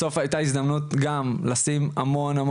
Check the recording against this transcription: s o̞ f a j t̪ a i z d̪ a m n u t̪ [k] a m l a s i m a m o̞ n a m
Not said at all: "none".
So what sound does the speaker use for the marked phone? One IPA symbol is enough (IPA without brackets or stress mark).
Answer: ɡ